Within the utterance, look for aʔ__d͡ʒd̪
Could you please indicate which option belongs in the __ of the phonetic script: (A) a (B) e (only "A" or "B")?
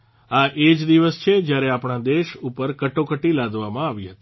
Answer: B